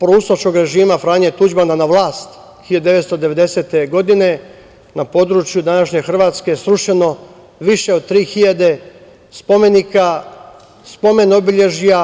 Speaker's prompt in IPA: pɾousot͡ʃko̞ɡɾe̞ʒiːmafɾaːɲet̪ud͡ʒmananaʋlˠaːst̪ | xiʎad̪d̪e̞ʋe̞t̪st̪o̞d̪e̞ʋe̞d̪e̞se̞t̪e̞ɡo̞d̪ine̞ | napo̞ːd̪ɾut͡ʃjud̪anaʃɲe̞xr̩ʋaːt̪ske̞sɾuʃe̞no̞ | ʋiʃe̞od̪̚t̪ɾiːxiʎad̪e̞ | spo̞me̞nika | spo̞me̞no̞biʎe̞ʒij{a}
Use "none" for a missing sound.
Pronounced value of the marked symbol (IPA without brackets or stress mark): a